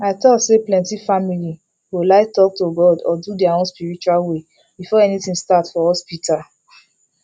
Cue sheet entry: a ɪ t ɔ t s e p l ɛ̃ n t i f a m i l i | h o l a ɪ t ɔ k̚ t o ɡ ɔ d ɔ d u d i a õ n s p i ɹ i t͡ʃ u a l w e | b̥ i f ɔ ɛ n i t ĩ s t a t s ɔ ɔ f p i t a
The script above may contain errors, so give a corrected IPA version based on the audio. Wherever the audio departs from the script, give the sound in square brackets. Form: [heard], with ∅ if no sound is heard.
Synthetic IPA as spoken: a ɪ t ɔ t s e p l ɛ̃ n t i f a m i l i | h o l a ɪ t ɔ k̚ t o ɡ ɔ d ɔ d u d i a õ n s p i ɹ i t͡ʃ u a l w e | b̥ i f ɔ ɛ n i t ĩ s t a t [f] ɔ ɔ [s] p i t a